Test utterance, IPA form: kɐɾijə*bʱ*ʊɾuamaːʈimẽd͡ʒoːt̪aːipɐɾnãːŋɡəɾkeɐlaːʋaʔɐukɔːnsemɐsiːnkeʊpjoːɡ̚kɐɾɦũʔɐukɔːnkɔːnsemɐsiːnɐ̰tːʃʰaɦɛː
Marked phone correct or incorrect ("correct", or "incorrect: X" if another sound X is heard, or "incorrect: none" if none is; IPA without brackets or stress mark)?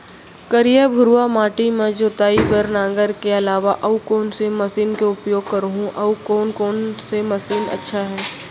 correct